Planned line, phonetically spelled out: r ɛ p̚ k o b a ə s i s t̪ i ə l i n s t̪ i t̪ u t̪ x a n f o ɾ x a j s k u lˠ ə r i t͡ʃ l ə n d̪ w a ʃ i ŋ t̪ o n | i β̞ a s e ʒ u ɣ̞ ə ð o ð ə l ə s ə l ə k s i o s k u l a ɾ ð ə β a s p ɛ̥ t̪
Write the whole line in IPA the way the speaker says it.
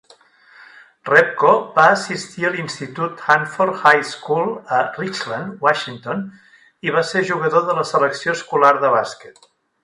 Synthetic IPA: r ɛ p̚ k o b a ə s i s t̪ i ə l i n s t̪ i t̪ u t̪ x a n f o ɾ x a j s k u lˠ ə r i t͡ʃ l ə n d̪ w a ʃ i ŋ t̪ o n | i β̞ a s e ʒ u ɣ̞ ə ð o ð ə l ə s ə l ə k s i o s k u l a ɾ ð ə β a s k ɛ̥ t̪